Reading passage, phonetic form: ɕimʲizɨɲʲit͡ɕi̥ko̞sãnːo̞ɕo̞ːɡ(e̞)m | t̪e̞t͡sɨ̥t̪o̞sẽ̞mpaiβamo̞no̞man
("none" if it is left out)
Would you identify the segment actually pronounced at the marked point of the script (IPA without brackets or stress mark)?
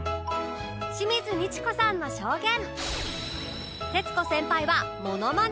ẽ̞